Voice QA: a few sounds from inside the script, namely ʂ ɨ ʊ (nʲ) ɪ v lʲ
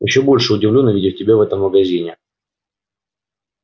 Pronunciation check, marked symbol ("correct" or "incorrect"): incorrect